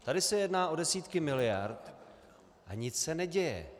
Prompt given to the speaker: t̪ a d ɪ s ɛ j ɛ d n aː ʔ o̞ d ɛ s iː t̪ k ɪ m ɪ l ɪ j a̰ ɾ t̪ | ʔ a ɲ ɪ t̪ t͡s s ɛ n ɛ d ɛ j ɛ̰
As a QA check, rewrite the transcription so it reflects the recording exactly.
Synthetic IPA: t̪ a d ɪ s ɛ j ɛ d n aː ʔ o̞ d ɛ s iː t̪ k ɪ m ɪ l ɪ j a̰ ɾ t̪ | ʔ a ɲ ɪ t͡s s ɛ n ɛ ɟ ɛ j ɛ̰